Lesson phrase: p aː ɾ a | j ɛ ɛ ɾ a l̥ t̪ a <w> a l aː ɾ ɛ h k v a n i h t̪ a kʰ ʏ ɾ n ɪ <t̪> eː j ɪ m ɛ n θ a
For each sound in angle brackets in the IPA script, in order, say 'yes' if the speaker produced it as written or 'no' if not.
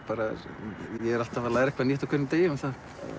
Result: no, yes

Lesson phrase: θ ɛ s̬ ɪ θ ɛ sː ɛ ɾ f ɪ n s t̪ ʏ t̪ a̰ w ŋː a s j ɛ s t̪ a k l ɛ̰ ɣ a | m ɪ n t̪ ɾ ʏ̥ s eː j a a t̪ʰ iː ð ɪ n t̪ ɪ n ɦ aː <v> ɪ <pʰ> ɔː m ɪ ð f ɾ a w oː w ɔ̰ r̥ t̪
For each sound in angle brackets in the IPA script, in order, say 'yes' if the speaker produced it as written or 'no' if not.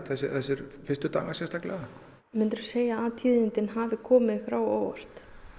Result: yes, no

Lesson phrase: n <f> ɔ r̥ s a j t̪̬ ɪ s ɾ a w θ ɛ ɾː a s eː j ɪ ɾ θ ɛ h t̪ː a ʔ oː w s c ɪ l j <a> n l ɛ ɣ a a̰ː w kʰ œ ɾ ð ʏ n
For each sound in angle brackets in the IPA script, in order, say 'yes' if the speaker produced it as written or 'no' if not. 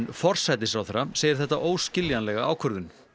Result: yes, yes

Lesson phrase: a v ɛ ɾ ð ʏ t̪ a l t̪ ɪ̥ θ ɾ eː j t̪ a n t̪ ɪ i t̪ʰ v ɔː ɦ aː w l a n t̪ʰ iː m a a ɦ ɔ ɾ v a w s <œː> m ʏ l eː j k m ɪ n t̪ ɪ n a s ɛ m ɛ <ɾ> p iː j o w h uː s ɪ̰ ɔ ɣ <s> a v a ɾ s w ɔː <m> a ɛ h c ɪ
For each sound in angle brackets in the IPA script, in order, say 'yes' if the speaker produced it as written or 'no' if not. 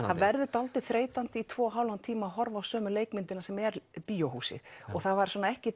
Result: yes, yes, no, no

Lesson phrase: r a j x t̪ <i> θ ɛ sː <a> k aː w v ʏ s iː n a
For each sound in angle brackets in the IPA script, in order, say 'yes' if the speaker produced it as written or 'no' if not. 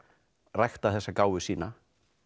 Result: no, yes

